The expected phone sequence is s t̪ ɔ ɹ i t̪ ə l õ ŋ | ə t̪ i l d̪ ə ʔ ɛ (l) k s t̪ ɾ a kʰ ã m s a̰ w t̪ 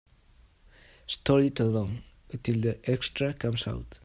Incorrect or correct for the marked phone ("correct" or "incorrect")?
incorrect